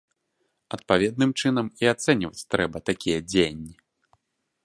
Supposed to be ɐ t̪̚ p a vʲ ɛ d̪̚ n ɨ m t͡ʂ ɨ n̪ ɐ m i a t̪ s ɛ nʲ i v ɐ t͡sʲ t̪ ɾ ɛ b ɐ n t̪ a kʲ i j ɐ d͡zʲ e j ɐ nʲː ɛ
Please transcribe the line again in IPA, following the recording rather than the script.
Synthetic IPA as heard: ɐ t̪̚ p a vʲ ɛ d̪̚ n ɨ m t͡ʂ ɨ n̪ ɐ m i a t̪ s ɛ nʲ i v ɐ t͡sʲ t̪ ɾ ɛ b ɐ t̪ a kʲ i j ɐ d͡zʲ e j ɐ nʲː i